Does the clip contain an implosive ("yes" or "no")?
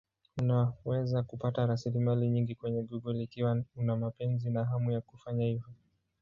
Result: no